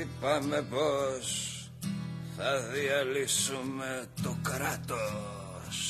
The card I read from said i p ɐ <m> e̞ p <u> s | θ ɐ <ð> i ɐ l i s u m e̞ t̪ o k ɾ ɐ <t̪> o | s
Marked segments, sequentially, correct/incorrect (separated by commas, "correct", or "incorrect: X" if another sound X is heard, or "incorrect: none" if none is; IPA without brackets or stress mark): correct, incorrect: o, correct, correct